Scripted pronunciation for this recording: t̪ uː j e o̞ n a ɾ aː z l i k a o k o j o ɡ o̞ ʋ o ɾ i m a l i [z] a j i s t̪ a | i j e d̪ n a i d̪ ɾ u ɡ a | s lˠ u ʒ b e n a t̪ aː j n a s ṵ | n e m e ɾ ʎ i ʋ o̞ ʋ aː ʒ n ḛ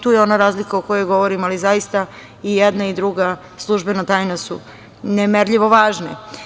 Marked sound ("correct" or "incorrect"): correct